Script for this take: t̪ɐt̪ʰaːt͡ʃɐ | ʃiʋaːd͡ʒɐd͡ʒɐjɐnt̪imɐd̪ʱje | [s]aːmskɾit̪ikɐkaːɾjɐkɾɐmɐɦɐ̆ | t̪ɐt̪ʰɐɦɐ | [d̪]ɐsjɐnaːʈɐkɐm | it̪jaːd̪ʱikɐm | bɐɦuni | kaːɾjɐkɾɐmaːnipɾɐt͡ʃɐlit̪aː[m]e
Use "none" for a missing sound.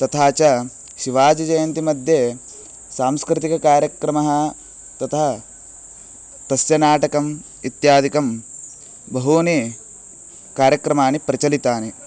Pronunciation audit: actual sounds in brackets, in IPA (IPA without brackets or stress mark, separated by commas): s, t̪, n